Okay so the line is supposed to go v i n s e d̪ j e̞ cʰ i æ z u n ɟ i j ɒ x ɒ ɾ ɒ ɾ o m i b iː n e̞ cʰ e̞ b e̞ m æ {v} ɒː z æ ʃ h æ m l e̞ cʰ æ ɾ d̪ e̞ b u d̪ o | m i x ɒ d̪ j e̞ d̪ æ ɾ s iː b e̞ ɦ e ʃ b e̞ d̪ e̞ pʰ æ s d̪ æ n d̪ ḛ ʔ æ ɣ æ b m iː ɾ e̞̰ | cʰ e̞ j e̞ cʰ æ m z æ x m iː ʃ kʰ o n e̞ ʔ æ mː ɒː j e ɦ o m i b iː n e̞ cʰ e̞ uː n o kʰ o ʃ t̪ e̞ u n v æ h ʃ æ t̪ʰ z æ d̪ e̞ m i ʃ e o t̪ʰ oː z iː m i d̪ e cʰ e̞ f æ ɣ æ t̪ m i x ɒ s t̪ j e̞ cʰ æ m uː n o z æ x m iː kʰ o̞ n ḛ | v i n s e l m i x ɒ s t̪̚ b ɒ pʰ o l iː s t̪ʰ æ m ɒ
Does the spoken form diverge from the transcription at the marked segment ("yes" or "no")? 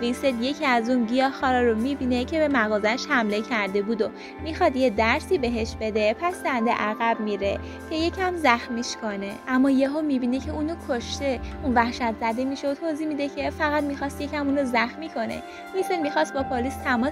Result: yes